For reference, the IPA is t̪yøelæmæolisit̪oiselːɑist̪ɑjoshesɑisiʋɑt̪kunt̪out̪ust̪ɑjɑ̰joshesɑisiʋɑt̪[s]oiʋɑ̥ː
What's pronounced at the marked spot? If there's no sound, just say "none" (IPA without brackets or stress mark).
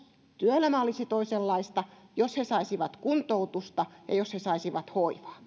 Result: h